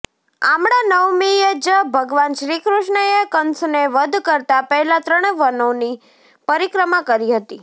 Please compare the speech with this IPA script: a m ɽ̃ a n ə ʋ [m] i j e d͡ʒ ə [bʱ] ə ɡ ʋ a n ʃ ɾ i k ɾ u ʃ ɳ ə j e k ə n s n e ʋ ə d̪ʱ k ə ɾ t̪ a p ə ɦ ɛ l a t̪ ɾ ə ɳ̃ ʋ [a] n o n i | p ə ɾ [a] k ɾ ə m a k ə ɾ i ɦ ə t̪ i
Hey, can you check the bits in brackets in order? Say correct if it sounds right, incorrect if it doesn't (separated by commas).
correct, correct, incorrect, incorrect